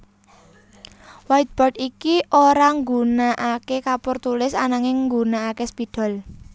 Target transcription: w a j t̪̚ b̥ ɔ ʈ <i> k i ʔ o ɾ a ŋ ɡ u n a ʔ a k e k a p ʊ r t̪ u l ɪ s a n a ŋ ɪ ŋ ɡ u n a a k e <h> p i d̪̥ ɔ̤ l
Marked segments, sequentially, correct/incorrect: correct, incorrect: s

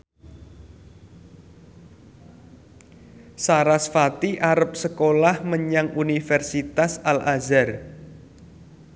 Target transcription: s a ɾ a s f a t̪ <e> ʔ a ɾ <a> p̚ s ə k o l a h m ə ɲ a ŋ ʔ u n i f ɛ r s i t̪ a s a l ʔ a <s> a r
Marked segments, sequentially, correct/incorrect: incorrect: i, incorrect: ə, incorrect: z

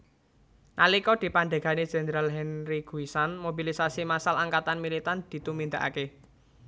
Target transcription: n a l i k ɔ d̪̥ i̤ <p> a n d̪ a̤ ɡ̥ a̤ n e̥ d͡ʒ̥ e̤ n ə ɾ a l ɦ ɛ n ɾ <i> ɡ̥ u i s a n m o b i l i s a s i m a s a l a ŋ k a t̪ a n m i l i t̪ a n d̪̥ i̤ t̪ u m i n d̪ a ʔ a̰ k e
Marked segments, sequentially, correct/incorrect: correct, correct

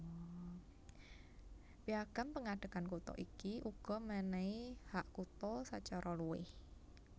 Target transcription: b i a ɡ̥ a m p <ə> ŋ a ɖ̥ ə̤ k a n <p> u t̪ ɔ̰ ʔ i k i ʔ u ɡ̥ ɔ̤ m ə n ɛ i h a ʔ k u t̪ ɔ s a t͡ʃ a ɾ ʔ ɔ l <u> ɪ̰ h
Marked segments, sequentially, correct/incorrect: correct, incorrect: k, correct

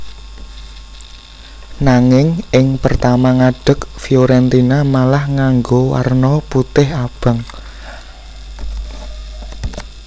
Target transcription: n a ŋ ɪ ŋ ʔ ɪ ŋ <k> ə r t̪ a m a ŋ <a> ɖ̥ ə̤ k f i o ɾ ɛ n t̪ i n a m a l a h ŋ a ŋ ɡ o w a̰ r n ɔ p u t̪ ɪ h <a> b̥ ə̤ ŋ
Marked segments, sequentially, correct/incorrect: incorrect: p, correct, correct

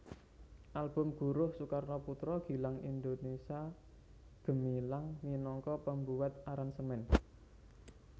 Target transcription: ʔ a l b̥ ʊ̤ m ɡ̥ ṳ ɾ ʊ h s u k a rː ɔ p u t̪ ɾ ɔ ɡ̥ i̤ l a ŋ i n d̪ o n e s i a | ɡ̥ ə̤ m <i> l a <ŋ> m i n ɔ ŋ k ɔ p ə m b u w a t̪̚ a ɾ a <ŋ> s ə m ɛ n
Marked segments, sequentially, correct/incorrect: correct, correct, incorrect: n

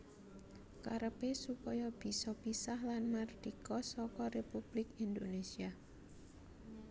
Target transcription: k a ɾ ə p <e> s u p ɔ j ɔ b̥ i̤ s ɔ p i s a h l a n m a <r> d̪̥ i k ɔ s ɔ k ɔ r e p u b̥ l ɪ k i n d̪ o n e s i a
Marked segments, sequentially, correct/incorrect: correct, correct

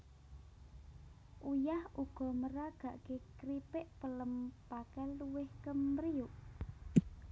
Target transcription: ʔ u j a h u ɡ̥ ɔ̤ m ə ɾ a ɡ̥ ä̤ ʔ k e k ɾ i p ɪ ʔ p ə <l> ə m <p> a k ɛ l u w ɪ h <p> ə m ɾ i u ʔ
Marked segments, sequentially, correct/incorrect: correct, correct, incorrect: k

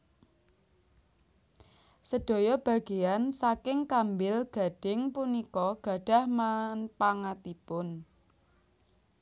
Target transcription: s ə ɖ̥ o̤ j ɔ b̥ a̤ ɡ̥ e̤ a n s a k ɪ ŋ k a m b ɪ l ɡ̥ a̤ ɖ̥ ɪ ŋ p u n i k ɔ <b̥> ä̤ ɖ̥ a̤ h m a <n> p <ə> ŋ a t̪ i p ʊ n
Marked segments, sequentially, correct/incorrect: incorrect: ɡ̥, correct, incorrect: a

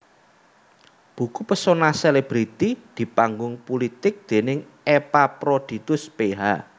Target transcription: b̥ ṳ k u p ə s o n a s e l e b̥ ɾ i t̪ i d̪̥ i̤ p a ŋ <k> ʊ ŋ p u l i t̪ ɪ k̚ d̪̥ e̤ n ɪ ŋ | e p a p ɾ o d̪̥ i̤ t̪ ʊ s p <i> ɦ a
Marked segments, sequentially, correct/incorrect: incorrect: ɡ, incorrect: e

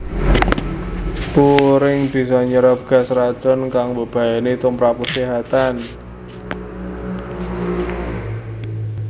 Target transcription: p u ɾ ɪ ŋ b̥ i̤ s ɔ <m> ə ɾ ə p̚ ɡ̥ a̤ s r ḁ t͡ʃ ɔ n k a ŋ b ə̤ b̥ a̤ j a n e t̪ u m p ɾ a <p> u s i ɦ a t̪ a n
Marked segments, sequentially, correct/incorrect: incorrect: ɲ, correct

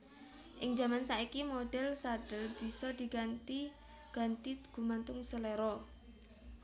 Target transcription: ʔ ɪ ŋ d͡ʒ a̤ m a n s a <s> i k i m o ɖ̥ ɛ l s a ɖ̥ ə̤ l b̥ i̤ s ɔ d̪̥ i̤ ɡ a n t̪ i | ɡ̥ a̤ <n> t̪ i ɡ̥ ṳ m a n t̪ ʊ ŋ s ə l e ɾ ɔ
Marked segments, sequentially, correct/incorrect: incorrect: none, correct

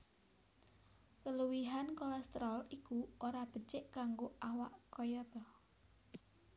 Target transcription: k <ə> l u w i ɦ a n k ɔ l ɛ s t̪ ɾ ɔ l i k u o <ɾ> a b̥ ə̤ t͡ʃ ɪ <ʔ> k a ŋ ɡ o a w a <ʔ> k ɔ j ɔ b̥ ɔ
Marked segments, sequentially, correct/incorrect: correct, correct, correct, correct

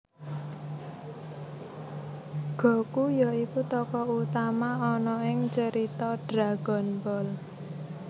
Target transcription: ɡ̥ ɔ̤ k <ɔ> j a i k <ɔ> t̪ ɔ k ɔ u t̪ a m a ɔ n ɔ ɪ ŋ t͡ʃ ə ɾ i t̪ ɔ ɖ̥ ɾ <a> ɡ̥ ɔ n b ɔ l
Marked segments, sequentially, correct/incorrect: incorrect: u, incorrect: u, correct

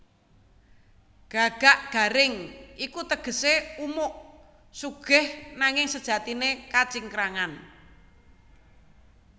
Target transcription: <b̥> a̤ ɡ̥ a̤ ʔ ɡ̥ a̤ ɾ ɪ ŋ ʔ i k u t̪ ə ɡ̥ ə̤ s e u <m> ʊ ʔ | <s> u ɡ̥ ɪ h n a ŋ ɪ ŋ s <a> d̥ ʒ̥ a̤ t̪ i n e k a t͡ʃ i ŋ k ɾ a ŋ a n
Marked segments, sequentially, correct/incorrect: incorrect: ɡ̥, correct, correct, incorrect: ə

